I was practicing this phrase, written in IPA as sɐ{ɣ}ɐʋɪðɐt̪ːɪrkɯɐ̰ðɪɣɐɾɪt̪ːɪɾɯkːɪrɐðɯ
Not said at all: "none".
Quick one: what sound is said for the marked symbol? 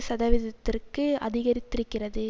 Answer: ð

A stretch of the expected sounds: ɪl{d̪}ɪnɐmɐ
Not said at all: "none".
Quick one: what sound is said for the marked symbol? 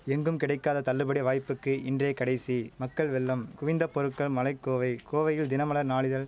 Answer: d̪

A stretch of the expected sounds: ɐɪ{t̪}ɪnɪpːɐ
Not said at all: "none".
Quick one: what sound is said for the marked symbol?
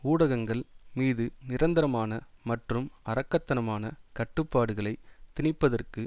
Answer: t̪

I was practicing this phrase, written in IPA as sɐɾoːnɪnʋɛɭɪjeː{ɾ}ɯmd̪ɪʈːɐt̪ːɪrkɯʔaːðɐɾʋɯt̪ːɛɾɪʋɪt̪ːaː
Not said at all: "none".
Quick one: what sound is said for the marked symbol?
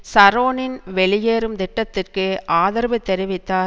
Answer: ɾ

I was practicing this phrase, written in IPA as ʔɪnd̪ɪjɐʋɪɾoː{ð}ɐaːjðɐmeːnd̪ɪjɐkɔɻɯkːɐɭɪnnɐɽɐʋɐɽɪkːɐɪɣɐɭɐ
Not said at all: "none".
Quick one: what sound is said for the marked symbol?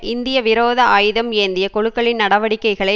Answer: ð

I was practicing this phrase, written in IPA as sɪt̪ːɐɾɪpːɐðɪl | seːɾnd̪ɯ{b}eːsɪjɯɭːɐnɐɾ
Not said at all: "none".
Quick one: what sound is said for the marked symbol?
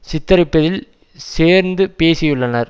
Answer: p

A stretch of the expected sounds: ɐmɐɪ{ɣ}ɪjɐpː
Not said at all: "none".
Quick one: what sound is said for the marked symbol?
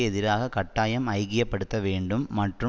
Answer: ɣ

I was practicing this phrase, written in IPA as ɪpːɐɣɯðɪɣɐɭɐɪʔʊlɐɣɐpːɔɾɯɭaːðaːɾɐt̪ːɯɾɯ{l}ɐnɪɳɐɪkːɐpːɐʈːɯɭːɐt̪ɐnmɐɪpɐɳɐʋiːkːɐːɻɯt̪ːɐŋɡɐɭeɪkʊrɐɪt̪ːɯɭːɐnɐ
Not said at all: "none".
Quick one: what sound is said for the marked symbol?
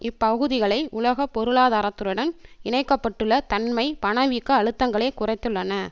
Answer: ɽ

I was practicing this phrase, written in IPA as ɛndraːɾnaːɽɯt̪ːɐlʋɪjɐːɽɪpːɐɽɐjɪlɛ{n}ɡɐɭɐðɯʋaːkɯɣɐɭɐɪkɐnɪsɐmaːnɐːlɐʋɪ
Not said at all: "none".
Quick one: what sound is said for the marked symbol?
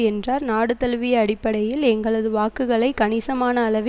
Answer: ŋ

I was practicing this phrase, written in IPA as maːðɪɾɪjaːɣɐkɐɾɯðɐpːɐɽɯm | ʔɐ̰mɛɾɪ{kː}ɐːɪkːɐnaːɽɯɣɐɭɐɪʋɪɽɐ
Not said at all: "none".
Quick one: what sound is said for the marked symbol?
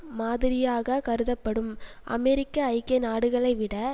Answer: kː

